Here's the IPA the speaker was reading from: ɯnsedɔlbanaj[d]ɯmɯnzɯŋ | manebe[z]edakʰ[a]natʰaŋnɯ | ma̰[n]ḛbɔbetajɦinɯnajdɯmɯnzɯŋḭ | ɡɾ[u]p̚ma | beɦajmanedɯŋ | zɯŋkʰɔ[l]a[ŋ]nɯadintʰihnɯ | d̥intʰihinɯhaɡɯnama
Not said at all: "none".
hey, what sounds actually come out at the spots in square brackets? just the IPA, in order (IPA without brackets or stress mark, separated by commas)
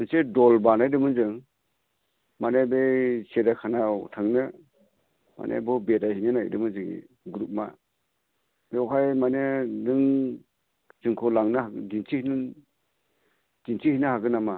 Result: d, s, a, n, u, l, ŋ